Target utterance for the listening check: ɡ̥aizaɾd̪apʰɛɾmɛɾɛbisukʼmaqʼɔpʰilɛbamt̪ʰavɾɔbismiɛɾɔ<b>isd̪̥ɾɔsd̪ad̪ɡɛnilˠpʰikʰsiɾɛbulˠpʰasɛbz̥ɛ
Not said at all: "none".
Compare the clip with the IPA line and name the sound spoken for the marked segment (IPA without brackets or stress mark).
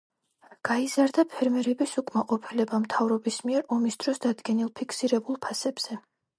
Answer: m